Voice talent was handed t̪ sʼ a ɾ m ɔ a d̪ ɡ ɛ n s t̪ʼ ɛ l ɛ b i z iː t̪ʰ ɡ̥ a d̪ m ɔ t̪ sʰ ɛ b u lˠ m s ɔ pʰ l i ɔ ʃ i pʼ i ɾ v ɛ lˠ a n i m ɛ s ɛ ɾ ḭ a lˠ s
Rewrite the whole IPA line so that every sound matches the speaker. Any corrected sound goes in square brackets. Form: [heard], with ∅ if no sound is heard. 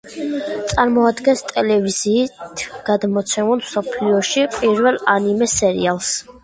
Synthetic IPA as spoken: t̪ sʼ a ɾ m ɔ a d̪ ɡ ɛ n s t̪ʼ ɛ l ɛ [v] i z iː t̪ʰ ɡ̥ a d̪ m ɔ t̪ sʰ ɛ [m] u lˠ m s ɔ pʰ l i ɔ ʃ i pʼ i ɾ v ɛ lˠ a n i m ɛ s ɛ ɾ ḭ a lˠ s